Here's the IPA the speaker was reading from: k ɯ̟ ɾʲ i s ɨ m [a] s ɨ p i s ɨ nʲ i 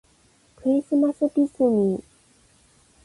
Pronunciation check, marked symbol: correct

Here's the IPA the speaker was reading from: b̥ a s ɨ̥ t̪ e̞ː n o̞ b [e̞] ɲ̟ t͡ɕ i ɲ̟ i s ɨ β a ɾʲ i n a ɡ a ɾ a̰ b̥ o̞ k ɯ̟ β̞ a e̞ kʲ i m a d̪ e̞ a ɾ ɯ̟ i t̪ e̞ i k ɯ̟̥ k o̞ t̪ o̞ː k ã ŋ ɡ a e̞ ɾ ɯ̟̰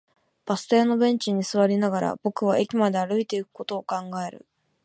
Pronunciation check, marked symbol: incorrect: ẽ̞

